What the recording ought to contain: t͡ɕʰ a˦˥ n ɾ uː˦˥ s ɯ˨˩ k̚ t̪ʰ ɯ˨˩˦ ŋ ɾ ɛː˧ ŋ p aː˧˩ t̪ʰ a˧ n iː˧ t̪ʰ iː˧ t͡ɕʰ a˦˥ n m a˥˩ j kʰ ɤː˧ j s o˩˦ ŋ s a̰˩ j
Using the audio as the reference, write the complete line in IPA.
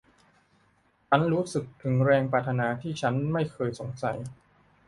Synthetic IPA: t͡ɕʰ a˦˥ n ɾ uː˦˥ s ɯ˨˩ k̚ t̪ʰ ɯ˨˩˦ ŋ ɾ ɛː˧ ŋ p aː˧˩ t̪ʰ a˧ n aː˧ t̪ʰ iː˥˩ t͡ɕʰ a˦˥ n m a˥˩ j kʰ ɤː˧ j s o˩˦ ŋ s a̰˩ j